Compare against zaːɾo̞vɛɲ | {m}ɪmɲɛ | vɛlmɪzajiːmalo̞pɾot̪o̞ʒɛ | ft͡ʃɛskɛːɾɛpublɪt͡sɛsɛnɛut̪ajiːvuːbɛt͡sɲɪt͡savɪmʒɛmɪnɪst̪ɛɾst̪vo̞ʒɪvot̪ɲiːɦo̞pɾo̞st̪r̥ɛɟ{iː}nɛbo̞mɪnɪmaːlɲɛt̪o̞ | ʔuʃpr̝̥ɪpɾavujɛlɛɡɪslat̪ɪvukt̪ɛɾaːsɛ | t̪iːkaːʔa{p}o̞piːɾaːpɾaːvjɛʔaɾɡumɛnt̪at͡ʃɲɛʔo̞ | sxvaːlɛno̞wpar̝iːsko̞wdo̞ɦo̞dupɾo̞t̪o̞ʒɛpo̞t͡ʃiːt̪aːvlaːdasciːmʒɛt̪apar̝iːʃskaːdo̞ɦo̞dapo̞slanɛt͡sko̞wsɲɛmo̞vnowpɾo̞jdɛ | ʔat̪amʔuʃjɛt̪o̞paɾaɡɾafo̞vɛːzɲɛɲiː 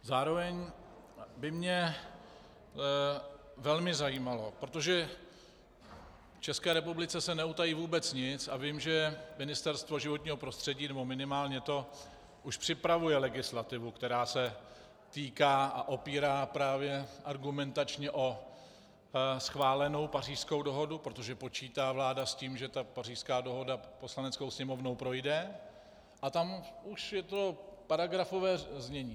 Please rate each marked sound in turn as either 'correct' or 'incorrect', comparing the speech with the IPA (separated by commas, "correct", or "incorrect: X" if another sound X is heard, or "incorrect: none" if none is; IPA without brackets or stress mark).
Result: incorrect: b, correct, incorrect: ʔ